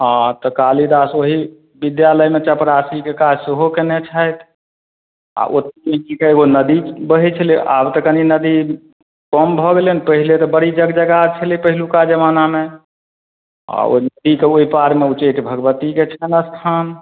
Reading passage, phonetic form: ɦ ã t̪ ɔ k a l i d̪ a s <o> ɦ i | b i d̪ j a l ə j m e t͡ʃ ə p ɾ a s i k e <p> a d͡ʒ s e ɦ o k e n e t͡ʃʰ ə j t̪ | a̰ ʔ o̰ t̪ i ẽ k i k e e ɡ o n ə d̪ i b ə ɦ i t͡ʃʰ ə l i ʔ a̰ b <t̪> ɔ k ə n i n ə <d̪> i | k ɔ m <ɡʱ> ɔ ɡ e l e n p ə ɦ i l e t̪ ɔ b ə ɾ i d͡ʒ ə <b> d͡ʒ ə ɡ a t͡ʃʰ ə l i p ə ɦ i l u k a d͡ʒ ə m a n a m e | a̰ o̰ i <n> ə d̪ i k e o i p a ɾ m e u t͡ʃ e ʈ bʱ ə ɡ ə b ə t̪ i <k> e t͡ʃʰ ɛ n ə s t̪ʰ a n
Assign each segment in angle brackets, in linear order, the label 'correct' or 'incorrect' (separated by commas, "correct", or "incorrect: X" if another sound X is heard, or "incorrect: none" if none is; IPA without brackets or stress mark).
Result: correct, incorrect: k, correct, correct, incorrect: bʱ, incorrect: ɡ, correct, correct